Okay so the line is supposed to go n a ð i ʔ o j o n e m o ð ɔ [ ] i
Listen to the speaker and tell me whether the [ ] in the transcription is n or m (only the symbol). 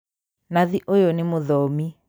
m